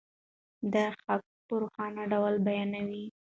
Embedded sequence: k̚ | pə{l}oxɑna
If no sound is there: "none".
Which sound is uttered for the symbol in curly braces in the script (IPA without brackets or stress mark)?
ɾ